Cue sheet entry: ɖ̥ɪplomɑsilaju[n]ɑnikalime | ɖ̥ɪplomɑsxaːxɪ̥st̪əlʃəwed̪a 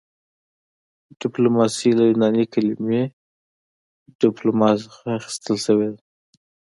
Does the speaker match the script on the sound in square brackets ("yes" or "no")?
yes